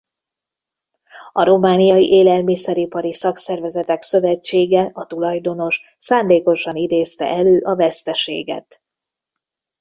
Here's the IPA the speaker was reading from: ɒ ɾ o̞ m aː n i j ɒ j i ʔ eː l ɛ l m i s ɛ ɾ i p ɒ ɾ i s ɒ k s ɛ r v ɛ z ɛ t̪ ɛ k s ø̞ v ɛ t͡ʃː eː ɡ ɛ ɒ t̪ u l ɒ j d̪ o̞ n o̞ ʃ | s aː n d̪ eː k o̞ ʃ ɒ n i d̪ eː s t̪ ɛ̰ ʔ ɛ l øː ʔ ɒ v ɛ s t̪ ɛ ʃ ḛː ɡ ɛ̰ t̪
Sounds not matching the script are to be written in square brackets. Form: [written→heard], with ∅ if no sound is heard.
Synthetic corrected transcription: ɒ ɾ o̞ m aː n i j ɒ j i ʔ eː l ɛ l m i s ɛ ɾ i p ɒ ɾ i s ɒ k s ɛ r v ɛ z ɛ t̪ ɛ k s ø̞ v ɛ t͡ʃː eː ɡ ɛ ɒ t̪ u l ɒ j d̪ o̞ n o̞ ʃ | s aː n d̪ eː k o̞ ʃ ɒ n i d̪ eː s t̪ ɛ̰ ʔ ɛ l øː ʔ ɒ v ɛ s t̪ ɛ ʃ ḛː ɡ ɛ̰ t̪